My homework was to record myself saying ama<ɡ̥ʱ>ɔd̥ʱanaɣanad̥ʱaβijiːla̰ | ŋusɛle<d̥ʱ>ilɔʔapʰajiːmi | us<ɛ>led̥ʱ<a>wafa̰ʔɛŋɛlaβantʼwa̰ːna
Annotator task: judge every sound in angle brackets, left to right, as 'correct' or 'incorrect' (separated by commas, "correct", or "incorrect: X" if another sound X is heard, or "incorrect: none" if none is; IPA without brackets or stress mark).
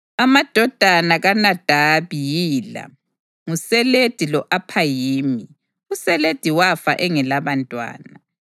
incorrect: d̥ʱ, correct, correct, incorrect: i